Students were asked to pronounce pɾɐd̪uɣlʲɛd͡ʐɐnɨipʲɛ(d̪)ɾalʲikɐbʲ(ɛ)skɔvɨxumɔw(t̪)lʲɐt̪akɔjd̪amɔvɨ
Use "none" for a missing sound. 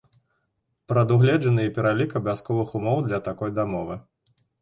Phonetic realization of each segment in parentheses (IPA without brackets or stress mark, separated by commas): none, a, d̪